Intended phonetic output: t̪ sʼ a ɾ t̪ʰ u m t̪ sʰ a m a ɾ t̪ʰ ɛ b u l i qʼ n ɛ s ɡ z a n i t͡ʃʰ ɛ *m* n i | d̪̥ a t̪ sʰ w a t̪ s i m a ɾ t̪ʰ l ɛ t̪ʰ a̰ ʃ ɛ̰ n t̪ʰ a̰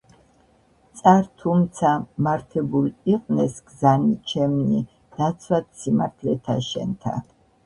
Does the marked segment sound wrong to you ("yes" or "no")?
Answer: no